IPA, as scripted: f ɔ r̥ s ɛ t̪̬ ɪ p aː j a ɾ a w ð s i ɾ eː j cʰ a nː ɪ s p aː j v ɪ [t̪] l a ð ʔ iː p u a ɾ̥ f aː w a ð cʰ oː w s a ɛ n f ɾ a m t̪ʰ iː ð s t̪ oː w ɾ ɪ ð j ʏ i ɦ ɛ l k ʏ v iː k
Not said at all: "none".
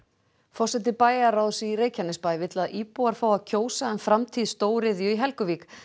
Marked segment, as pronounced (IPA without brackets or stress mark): t̪